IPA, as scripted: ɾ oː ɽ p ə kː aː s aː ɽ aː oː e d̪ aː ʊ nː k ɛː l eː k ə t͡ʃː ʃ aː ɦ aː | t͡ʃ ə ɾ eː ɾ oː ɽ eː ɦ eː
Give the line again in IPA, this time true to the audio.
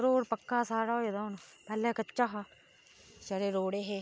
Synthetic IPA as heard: ɾ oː ɽ p ə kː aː s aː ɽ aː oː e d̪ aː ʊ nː p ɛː l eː k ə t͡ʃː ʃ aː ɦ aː | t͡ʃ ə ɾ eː ɾ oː ɽ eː ɦ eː